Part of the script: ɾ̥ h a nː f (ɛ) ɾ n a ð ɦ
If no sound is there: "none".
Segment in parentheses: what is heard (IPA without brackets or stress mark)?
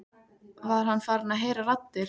a